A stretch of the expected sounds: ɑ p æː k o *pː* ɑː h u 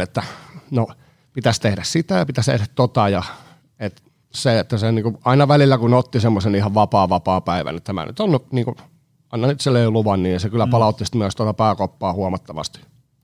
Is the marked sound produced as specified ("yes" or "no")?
yes